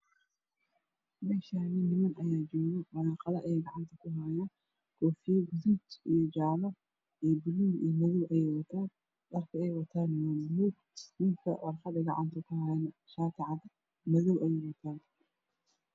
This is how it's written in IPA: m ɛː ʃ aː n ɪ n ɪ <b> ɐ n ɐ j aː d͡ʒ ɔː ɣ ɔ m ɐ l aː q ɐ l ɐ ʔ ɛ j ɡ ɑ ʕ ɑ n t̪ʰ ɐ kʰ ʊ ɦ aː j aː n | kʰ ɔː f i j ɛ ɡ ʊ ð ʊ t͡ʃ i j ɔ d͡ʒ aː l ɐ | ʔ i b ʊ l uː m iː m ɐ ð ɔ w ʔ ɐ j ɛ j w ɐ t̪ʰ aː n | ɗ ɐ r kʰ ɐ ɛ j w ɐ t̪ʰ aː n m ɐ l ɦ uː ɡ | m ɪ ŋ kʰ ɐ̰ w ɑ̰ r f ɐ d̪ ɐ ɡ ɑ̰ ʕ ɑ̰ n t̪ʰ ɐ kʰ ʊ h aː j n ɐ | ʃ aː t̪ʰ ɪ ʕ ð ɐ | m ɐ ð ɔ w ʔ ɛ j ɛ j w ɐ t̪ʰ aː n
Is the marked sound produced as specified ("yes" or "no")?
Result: no